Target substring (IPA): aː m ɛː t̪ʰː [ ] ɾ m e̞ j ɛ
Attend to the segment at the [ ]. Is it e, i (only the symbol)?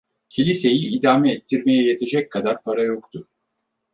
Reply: i